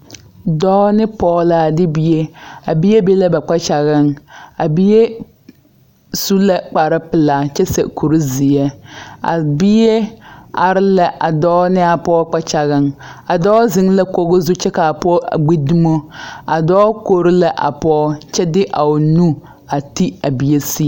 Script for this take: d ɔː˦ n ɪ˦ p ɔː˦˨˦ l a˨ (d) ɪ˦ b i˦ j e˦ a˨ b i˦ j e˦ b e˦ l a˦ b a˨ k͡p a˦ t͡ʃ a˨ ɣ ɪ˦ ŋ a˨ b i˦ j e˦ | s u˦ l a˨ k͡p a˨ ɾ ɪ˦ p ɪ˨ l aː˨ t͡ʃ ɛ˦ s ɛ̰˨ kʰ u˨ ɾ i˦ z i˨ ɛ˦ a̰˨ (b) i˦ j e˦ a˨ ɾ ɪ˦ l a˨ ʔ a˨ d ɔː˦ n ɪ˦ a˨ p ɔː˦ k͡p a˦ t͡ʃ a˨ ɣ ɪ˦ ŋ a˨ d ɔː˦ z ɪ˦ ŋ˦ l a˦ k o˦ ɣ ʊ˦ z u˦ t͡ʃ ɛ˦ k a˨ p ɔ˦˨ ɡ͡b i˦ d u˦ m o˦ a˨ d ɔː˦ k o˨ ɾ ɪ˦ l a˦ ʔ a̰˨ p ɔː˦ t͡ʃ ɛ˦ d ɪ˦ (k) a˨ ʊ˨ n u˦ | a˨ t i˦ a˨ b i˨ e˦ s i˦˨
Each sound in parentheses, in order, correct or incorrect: correct, correct, incorrect

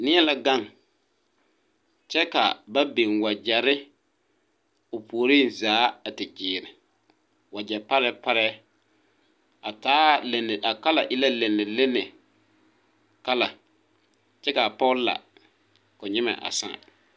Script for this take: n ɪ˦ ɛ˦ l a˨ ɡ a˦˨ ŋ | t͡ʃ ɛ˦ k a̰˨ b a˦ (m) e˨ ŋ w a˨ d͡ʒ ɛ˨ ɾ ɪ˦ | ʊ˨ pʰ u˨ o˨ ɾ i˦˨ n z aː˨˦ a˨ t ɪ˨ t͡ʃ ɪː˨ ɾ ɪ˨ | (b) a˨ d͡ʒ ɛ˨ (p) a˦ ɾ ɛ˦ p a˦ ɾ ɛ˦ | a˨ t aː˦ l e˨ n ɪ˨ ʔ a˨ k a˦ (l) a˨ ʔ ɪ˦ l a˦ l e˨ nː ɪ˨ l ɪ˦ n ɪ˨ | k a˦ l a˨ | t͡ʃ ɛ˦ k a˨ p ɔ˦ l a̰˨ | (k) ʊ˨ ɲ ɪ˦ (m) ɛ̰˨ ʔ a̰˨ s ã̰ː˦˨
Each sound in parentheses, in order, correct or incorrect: incorrect, incorrect, correct, correct, correct, correct

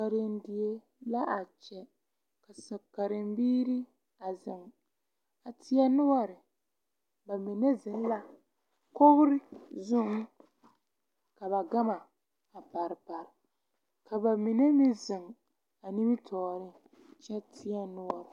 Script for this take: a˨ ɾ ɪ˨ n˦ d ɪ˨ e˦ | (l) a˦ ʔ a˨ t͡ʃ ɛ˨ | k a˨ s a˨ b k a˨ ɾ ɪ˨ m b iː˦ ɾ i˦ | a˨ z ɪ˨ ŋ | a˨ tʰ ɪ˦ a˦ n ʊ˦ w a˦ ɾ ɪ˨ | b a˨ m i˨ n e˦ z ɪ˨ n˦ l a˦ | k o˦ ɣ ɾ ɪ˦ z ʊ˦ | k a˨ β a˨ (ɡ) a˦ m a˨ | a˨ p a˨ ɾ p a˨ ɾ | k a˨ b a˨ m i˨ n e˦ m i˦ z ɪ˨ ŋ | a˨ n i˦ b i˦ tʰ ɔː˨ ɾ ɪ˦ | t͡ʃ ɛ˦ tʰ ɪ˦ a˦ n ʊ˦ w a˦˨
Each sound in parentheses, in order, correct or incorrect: correct, correct

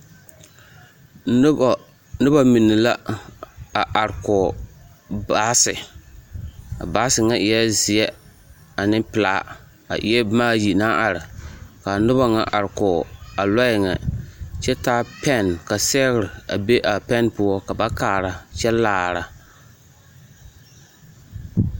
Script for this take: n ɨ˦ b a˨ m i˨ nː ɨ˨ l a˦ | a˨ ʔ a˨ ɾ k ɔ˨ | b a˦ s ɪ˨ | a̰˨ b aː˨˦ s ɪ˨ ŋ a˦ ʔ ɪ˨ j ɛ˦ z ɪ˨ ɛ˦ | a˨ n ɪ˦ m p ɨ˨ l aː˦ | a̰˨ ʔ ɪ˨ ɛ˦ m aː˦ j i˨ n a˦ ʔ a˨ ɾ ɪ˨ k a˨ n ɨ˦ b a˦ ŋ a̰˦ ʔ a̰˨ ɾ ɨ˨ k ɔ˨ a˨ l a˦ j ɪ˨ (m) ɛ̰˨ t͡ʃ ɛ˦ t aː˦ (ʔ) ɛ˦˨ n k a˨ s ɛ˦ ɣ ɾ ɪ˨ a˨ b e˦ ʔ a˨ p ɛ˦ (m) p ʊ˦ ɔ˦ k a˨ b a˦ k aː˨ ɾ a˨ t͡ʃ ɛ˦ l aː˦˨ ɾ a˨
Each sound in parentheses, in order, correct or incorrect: incorrect, incorrect, incorrect

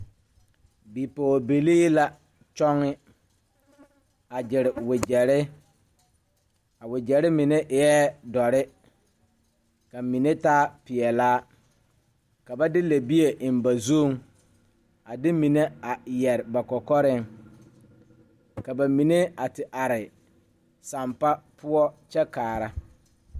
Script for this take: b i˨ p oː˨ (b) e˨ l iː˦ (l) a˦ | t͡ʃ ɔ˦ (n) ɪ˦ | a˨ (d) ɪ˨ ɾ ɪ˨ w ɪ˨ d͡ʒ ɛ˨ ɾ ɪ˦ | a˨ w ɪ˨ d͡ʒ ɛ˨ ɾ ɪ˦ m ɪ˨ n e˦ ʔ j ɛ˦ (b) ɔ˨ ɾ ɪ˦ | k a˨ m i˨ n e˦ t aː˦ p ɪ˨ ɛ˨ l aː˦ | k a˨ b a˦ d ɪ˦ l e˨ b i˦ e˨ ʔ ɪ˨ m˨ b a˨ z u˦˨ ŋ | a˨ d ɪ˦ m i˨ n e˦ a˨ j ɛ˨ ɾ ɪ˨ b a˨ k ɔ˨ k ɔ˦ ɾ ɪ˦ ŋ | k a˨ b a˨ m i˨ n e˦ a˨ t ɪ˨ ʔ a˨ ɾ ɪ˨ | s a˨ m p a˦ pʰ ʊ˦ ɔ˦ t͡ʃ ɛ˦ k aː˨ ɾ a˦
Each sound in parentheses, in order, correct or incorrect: correct, correct, incorrect, incorrect, incorrect

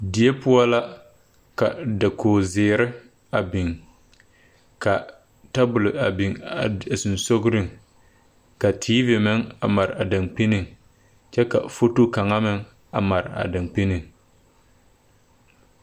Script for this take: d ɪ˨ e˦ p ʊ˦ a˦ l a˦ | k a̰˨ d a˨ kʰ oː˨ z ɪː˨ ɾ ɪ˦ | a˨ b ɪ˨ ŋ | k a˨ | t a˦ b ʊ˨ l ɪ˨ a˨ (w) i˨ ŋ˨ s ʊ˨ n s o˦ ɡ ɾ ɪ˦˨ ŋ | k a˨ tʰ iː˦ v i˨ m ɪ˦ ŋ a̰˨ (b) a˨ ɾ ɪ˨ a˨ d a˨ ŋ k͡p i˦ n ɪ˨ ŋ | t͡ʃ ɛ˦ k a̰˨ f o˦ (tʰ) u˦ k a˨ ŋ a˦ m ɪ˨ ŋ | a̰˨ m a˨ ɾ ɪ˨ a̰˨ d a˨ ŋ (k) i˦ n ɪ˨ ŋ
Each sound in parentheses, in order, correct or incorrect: incorrect, incorrect, incorrect, incorrect

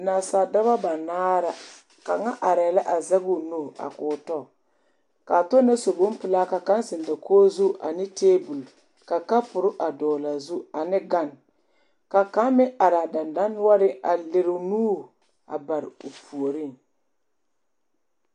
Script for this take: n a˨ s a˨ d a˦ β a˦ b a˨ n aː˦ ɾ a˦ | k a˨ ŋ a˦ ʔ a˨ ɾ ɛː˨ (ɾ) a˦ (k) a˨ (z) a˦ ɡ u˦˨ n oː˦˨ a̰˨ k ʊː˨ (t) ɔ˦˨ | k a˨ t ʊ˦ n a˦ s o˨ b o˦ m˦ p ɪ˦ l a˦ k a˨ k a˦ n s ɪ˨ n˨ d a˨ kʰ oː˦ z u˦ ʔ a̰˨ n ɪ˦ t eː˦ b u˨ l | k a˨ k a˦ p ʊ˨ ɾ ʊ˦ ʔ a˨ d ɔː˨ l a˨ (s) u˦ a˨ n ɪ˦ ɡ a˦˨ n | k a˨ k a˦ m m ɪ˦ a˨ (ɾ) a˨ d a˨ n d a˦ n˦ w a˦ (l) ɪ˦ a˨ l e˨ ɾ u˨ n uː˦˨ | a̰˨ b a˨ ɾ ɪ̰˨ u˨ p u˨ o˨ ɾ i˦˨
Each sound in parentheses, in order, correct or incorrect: incorrect, incorrect, correct, correct, incorrect, correct, incorrect

